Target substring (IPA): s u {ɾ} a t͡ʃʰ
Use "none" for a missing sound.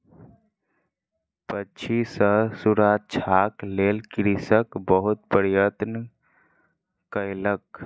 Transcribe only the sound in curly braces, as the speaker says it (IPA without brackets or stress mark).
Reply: ɾ